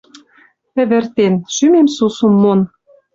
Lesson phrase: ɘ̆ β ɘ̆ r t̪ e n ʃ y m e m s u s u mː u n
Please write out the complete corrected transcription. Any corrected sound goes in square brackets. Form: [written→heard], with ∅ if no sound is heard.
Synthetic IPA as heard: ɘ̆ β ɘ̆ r t̪ e n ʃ y m e m s u s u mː [u→o] n